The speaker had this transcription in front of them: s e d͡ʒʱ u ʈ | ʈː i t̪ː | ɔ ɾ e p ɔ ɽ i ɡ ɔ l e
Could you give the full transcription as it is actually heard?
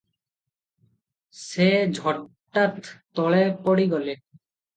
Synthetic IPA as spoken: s e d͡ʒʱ ɔ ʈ | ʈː a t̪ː | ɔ ɭ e p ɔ ɽ i ɡ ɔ l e